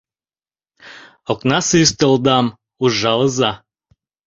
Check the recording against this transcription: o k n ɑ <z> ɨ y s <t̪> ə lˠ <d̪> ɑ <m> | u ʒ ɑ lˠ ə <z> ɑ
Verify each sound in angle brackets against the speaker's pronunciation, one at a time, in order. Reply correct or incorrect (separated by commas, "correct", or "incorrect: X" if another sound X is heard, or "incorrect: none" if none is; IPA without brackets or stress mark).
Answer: incorrect: s, correct, correct, correct, correct